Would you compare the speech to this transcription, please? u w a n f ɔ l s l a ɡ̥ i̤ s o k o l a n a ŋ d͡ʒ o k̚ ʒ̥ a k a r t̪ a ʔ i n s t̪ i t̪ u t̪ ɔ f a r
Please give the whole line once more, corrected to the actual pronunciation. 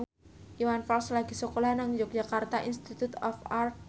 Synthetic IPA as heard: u w a n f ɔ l s l a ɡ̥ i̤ s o k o l a n a ŋ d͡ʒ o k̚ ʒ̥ a k a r t̪ a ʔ i n s t̪ i t̪ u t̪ ɔ f a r